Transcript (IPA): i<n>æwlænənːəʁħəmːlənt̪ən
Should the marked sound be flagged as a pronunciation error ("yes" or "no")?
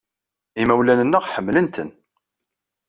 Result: yes